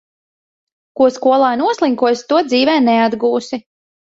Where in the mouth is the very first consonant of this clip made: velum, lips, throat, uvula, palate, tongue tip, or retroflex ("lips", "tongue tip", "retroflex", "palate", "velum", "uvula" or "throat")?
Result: velum